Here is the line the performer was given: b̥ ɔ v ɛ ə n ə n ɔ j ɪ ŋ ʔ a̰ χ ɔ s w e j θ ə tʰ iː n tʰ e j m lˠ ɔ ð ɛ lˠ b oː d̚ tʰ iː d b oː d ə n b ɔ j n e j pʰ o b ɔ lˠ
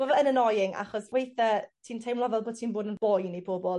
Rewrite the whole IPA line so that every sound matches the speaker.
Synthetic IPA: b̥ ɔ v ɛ ə n ə n ɔ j ɪ ŋ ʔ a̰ χ ɔ s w e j θ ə tʰ iː n tʰ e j m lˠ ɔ v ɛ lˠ b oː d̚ tʰ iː n b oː d ə n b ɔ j n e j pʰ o b ɔ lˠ